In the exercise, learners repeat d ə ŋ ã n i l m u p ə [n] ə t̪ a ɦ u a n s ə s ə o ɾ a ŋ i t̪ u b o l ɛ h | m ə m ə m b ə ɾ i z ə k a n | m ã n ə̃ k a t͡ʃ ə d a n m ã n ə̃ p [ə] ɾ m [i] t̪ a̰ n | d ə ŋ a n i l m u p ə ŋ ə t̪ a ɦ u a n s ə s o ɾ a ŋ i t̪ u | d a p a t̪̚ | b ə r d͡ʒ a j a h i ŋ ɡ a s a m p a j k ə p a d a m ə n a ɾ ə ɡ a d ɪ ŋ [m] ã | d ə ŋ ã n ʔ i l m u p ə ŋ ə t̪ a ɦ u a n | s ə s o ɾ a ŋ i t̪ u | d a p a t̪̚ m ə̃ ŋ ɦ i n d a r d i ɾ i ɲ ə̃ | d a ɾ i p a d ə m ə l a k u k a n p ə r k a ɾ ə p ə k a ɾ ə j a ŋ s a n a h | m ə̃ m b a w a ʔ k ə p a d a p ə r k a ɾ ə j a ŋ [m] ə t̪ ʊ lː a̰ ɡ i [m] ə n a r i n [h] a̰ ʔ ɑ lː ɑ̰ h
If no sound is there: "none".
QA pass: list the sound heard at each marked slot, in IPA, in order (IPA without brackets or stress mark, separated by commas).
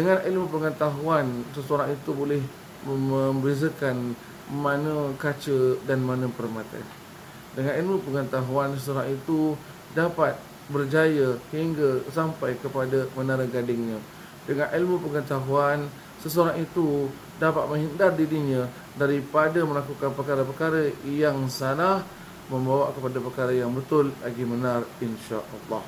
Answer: ŋ, ə, a, ɲ, b, m, ʃ